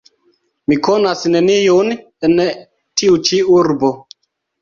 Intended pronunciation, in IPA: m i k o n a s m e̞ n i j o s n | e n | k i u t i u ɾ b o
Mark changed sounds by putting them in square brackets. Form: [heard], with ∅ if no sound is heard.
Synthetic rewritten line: m i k o n a s [n] e̞ n i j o [∅] n | e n | [t] i u [t͡ʃ] i u ɾ b o